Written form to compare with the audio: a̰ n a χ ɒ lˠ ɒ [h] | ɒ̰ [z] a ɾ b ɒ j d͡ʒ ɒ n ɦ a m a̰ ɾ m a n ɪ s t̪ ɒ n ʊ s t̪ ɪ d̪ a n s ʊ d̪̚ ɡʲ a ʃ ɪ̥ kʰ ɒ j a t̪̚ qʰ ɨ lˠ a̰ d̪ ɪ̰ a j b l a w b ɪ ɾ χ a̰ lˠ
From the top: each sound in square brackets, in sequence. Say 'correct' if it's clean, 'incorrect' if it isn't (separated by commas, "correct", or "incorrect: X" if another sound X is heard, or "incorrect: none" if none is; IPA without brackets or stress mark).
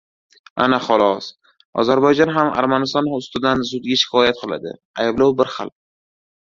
incorrect: s, correct